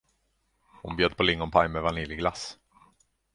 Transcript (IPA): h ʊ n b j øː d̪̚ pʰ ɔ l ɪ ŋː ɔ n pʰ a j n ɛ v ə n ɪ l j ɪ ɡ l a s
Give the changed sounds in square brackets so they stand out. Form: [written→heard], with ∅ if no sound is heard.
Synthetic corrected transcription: h ʊ n b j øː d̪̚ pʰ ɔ l ɪ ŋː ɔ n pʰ a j [n→m] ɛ v [ə→a] n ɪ l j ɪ ɡ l a s